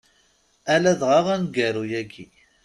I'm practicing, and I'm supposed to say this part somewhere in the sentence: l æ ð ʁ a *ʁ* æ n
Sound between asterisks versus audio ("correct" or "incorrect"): correct